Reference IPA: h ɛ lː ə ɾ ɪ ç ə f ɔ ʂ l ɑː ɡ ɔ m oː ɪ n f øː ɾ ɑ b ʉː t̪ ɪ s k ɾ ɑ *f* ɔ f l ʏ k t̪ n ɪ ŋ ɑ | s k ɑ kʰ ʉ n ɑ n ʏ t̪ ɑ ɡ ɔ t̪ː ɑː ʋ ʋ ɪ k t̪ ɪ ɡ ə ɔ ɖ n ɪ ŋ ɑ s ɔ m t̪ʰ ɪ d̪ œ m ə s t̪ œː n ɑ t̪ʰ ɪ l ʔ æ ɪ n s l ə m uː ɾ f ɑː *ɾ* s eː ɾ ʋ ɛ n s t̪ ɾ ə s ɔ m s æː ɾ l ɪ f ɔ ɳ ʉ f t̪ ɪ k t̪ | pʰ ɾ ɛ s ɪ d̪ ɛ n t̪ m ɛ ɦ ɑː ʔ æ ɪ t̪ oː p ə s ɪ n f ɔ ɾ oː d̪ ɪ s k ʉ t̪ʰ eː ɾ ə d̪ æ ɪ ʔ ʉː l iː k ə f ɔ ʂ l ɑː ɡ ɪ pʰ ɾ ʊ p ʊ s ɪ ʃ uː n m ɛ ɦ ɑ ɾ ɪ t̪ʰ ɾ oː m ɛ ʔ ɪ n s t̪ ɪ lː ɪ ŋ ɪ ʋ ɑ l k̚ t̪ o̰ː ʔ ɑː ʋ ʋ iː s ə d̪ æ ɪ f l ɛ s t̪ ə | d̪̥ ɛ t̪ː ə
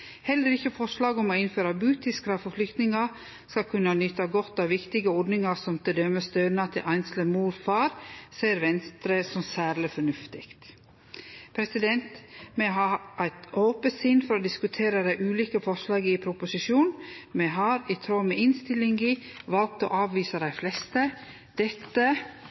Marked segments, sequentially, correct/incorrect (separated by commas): correct, correct